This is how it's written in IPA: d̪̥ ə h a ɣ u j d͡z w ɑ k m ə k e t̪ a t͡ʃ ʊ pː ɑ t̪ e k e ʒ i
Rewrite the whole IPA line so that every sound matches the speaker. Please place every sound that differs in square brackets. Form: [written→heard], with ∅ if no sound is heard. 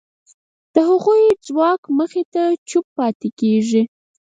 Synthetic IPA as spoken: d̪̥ ə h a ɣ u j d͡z w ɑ k m ə [k→x] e t̪ a t͡ʃ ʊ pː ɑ t̪ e k e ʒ i